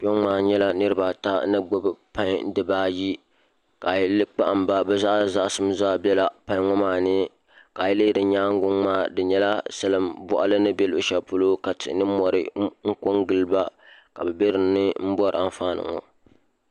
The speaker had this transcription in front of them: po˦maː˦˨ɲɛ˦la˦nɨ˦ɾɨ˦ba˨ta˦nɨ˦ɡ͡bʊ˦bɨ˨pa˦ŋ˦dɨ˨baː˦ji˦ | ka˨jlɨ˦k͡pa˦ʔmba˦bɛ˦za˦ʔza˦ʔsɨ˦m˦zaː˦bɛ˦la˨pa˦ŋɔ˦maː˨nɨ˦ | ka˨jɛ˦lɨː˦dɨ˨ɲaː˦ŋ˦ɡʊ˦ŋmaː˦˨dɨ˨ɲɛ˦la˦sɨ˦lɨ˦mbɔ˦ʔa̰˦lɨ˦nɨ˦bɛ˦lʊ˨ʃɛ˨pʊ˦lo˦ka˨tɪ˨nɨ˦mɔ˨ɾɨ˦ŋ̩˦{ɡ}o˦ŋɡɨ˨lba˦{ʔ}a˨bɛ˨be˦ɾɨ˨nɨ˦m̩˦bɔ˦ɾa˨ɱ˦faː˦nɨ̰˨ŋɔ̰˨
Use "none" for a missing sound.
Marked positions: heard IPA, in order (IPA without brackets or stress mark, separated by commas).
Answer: k, k